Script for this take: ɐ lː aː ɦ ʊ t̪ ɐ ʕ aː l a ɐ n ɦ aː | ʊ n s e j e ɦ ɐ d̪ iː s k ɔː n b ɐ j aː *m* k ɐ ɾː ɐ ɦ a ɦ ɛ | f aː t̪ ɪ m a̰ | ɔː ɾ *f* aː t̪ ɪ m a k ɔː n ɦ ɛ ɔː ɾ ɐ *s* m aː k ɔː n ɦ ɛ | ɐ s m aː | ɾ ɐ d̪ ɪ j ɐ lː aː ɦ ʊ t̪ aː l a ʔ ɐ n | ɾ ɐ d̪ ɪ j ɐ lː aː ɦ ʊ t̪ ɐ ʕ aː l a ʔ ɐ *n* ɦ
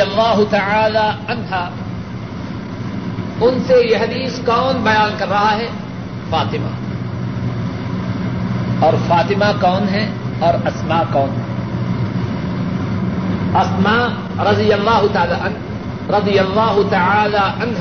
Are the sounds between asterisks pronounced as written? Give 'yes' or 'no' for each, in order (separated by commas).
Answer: no, yes, yes, yes